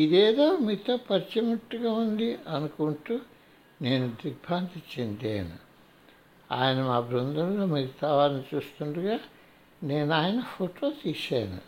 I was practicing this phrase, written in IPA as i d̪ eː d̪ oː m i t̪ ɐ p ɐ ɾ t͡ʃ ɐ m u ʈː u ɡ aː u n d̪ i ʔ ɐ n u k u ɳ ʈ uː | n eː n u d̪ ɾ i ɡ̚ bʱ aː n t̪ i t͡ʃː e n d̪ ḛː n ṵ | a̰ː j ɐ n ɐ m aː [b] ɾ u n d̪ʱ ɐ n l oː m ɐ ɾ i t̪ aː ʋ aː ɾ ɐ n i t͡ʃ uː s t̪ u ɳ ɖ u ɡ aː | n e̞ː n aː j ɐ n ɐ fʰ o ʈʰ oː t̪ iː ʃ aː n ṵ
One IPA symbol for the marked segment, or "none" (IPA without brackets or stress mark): b